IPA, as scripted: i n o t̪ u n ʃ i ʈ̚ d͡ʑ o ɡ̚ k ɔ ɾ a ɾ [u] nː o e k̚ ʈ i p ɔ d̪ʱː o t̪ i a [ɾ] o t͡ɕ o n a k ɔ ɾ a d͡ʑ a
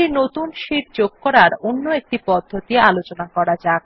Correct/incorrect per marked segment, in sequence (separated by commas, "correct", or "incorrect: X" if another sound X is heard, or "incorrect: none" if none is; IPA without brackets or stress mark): incorrect: o, incorrect: l